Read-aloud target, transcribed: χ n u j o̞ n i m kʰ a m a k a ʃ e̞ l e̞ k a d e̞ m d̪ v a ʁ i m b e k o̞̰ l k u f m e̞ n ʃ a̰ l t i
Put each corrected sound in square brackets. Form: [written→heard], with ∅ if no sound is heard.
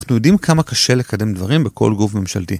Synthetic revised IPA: χ n u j o̞ [n→d] i m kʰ a m a k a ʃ e̞ l e̞ k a d e̞ m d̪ v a ʁ i m b e k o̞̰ l [k→ɡ] u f m e̞ [n→m] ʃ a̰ l t i